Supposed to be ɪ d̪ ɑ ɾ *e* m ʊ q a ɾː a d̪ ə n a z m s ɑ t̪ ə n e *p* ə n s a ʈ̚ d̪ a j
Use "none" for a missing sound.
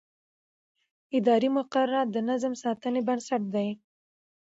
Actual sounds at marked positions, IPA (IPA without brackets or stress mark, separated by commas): i, b